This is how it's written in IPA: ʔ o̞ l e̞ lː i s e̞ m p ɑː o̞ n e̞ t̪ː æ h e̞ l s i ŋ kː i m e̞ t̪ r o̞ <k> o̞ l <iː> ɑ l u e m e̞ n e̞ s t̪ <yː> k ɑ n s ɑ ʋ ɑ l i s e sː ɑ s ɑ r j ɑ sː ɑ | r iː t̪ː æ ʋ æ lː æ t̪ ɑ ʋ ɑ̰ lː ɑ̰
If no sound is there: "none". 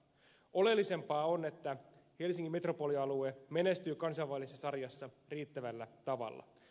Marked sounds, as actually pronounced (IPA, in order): p, i, yː

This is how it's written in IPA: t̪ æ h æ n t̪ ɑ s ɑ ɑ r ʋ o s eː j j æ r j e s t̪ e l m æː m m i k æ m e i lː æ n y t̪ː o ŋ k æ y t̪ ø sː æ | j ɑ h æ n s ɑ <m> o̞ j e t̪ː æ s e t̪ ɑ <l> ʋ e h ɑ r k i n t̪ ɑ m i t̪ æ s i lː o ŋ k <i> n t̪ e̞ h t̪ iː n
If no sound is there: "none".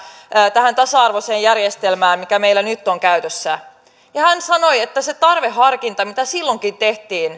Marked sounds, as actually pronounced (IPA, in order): n, r, i

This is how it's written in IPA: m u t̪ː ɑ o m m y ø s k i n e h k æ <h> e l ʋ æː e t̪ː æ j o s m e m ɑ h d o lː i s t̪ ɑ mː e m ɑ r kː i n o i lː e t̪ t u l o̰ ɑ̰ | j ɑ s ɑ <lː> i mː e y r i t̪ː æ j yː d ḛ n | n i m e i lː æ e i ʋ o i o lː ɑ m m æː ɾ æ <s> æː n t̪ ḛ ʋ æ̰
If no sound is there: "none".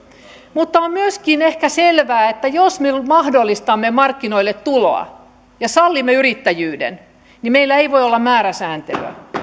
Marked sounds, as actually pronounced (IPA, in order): s, lː, s

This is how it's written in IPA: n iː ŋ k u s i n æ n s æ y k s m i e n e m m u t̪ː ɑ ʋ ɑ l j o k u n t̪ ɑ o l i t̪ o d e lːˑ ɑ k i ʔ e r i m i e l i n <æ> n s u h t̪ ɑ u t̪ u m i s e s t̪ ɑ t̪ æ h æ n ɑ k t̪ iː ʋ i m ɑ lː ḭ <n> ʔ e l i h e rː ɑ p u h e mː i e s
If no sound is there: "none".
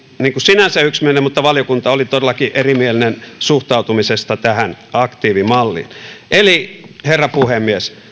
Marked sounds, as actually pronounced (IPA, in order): e, n

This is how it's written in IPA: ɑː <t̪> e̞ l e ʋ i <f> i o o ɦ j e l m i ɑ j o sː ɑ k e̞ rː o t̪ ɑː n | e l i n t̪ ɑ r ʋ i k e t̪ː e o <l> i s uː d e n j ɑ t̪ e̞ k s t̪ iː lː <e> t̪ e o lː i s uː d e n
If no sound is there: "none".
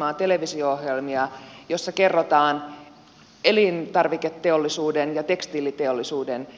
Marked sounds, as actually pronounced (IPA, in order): t̪, s, lː, i

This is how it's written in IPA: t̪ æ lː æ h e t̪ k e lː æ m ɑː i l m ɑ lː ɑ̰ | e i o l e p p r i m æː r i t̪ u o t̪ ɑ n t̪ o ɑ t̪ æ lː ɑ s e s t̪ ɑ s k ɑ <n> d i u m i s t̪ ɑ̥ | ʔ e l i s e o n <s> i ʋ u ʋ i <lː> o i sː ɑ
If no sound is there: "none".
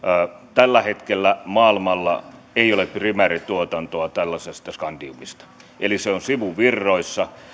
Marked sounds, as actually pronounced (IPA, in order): n, s, rː

